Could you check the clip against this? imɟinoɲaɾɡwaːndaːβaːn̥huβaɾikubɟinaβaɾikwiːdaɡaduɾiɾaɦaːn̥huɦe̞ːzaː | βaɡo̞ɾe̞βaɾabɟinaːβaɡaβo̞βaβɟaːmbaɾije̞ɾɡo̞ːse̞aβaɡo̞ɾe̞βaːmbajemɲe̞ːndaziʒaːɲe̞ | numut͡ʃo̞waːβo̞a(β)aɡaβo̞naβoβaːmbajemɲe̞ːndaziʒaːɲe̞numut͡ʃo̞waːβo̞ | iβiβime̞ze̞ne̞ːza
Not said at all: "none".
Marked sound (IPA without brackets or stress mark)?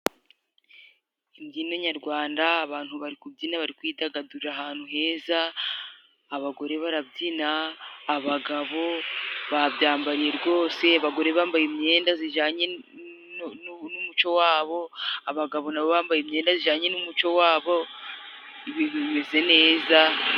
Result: β